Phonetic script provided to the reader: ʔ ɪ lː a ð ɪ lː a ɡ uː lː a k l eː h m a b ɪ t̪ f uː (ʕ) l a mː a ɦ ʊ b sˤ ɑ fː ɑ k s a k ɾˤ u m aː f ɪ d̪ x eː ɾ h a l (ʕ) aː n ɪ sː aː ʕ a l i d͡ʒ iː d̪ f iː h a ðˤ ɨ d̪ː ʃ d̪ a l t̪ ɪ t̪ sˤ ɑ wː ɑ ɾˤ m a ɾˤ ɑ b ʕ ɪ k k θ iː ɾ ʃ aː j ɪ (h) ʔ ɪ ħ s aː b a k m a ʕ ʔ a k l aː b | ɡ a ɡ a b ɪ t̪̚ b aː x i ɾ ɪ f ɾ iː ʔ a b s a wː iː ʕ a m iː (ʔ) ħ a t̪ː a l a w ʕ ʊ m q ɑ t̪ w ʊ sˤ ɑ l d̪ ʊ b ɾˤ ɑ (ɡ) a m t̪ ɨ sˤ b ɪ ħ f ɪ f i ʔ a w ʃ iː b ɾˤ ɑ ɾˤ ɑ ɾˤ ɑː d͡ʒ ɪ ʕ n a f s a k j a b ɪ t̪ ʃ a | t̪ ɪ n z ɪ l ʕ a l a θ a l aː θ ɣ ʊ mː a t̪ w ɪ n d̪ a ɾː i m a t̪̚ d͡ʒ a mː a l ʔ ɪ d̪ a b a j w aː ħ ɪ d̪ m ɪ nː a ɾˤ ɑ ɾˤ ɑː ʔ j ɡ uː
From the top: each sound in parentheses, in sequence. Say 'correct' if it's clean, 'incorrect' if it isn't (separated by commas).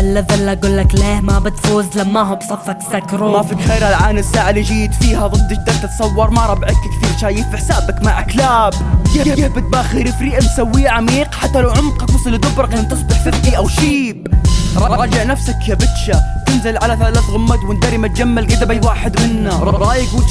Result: incorrect, correct, incorrect, incorrect, incorrect